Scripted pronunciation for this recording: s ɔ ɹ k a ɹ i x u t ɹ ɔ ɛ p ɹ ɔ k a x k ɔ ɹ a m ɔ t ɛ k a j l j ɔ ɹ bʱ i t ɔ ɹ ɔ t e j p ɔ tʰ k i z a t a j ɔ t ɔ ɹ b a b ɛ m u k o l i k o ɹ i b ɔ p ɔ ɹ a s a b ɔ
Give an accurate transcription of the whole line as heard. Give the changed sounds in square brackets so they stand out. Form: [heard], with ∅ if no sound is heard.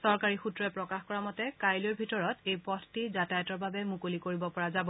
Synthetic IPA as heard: s ɔ ɹ k a ɹ i x u t ɹ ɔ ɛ p ɹ ɔ k a x k ɔ ɹ a m ɔ t ɛ k a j l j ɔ ɹ bʱ i t ɔ ɹ ɔ t e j p ɔ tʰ [t] i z a t a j ɔ t ɔ ɹ b a b ɛ m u k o l i k o ɹ i b ɔ p ɔ ɹ a [z] a b ɔ